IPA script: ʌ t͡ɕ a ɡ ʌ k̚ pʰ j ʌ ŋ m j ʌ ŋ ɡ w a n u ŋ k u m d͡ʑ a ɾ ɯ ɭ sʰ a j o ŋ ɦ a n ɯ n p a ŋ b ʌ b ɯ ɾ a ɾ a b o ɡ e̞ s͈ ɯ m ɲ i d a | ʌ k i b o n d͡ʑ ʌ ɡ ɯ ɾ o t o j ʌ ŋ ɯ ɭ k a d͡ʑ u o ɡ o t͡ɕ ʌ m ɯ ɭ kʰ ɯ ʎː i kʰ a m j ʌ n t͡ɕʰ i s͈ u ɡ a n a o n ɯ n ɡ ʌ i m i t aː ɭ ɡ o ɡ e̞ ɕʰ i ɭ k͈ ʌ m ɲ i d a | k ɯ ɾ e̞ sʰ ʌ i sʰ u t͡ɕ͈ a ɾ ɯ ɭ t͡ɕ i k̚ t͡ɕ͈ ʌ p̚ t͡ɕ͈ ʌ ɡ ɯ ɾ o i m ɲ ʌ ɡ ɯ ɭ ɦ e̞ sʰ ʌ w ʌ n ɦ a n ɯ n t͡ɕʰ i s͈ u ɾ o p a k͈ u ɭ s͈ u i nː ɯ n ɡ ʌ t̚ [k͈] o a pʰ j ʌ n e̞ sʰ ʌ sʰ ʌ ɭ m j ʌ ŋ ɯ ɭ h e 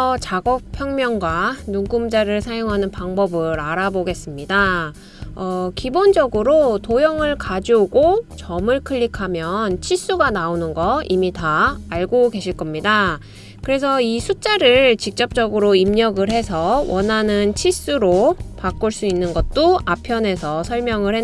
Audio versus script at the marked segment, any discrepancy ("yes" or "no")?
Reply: yes